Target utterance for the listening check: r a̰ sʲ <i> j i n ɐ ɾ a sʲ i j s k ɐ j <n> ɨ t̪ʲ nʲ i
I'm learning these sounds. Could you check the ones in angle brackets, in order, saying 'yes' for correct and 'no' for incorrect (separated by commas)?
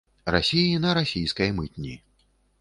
yes, no